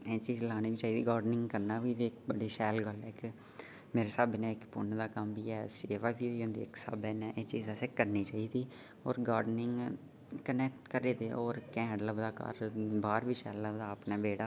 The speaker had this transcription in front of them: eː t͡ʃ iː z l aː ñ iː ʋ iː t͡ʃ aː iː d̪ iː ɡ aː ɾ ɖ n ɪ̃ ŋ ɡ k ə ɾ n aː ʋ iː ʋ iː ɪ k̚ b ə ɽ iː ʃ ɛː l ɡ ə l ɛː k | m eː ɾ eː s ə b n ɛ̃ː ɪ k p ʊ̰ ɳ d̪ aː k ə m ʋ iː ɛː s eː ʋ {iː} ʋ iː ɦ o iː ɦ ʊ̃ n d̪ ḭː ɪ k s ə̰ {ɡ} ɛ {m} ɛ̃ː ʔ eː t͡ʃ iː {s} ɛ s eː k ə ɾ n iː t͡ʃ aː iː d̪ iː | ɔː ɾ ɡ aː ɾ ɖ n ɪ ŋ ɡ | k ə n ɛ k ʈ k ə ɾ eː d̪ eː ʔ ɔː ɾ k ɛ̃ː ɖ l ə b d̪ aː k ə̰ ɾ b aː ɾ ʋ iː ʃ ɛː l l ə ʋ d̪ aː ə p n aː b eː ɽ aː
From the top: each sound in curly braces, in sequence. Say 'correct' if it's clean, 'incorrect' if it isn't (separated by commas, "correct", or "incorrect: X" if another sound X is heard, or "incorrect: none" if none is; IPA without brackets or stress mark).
incorrect: aː, incorrect: b, incorrect: n, incorrect: z